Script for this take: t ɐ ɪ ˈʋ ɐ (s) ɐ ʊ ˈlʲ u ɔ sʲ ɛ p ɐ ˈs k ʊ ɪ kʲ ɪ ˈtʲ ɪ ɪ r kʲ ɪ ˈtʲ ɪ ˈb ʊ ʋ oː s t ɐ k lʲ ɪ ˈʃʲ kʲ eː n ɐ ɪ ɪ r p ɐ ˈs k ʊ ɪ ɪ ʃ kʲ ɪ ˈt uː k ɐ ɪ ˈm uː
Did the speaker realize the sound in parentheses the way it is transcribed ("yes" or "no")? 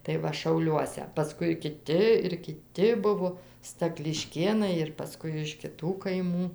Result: no